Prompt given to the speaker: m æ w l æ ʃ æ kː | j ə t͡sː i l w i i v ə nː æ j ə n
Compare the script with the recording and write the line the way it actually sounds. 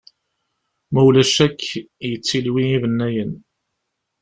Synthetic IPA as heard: m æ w l æ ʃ æ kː | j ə t͡sː i l w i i v ə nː æ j ə n